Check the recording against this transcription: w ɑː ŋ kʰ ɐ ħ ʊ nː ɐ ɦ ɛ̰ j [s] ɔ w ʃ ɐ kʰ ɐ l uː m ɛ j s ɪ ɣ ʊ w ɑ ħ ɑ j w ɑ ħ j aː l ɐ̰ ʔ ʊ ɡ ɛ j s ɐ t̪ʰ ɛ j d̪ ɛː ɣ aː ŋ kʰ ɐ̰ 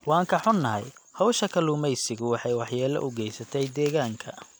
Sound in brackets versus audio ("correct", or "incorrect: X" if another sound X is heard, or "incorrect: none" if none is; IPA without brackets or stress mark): incorrect: h